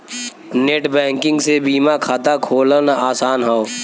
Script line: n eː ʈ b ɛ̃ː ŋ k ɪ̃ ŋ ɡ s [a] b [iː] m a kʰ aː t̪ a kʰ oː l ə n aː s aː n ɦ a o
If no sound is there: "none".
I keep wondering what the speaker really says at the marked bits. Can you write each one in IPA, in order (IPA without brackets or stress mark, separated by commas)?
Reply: e, iː